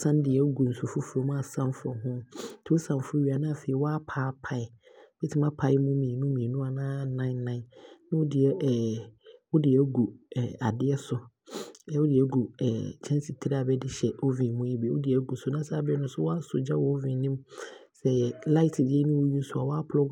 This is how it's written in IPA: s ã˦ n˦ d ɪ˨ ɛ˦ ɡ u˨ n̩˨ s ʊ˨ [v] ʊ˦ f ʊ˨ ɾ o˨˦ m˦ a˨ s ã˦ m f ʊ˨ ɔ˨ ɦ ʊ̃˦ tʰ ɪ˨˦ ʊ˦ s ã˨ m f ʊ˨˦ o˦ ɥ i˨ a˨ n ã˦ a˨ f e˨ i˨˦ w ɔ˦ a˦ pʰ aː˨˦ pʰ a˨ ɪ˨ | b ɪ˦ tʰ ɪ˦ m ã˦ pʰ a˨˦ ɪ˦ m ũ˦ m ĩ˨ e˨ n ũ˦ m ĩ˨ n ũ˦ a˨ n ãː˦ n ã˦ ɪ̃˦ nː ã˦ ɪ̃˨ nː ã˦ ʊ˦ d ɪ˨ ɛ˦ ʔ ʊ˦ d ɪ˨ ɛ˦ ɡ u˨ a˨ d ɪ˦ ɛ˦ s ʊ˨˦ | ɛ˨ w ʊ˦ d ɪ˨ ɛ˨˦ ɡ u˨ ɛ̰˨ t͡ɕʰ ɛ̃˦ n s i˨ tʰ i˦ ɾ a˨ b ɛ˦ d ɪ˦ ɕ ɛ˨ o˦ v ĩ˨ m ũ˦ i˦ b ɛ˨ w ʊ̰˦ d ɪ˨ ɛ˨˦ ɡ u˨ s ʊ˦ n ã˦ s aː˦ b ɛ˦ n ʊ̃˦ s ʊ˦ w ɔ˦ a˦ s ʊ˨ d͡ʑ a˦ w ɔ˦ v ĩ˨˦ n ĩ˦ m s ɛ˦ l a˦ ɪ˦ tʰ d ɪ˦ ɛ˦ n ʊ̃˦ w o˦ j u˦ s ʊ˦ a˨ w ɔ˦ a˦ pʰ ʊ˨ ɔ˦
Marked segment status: incorrect: f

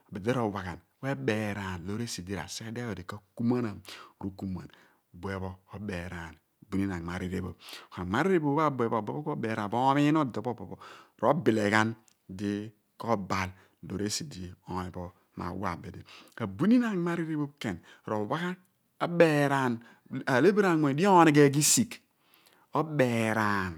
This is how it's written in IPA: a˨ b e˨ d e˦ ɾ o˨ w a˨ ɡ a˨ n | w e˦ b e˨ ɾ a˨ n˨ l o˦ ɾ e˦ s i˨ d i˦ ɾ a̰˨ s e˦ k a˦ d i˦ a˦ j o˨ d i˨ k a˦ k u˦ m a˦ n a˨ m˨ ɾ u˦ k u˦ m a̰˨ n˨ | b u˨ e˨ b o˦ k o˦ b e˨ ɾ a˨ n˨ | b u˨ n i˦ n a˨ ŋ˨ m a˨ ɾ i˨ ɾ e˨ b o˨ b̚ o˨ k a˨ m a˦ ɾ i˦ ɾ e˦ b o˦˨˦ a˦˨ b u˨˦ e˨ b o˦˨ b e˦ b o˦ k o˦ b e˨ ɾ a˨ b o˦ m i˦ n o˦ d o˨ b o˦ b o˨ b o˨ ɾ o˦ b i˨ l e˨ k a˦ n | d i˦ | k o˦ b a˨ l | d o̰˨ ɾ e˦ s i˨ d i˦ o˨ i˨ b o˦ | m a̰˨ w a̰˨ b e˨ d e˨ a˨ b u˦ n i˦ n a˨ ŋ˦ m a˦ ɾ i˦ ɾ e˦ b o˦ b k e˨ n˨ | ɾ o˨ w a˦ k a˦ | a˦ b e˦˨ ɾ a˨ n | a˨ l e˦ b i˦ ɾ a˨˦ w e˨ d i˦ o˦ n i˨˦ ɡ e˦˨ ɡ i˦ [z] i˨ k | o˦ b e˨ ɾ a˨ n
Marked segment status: incorrect: s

